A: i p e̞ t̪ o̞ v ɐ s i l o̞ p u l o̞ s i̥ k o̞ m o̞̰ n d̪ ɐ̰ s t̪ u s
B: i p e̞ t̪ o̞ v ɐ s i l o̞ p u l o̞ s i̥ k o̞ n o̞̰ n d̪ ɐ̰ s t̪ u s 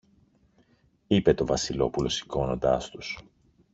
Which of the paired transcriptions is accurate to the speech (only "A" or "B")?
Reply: B